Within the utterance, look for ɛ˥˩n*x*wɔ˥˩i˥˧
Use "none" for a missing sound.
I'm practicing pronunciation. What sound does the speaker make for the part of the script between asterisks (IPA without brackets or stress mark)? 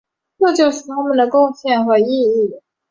x